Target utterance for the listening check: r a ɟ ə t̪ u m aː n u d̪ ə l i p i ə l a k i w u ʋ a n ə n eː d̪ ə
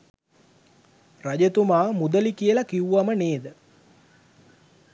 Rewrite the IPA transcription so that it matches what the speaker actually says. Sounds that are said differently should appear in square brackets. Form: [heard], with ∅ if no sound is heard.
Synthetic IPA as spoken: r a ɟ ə t̪ u m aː [m] u d̪ ə l i [k] i ə l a k i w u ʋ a [m] ə n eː d̪ ə